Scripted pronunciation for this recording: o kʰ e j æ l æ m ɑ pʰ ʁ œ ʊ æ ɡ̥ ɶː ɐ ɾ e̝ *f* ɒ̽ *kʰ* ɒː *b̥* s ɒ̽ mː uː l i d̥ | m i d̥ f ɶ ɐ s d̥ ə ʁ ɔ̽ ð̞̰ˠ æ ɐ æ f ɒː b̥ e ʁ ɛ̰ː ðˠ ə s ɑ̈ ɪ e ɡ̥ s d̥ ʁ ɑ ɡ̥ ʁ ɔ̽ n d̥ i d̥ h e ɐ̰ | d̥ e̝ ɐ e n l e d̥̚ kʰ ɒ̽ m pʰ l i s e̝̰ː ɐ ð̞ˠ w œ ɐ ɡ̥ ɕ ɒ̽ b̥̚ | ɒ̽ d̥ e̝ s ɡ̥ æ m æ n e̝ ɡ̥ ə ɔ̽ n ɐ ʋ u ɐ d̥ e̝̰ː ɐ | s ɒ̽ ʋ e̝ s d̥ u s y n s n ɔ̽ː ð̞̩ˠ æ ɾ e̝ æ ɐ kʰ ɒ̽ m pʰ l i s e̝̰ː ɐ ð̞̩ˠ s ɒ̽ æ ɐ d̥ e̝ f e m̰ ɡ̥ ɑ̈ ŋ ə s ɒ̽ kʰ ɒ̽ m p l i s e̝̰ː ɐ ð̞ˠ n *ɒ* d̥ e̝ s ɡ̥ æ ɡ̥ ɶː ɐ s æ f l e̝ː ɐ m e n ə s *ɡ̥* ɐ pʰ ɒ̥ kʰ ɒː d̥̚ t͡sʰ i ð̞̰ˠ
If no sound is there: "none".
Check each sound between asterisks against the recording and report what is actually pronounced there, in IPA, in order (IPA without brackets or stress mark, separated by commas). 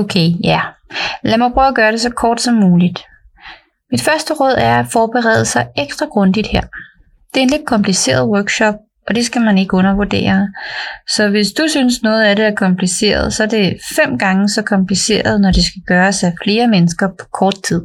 s, kʰ, d̥, ɒ, ɡ̥